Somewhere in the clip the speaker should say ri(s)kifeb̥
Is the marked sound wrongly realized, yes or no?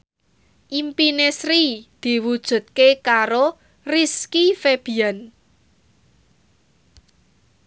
no